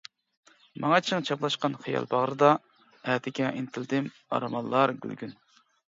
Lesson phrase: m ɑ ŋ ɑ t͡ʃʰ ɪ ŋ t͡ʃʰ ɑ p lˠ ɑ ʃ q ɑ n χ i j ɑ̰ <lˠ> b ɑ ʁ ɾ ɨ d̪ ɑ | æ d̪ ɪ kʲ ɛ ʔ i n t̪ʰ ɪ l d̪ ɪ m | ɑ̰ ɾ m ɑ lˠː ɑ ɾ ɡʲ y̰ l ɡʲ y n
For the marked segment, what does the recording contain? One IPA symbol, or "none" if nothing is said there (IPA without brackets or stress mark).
lˠ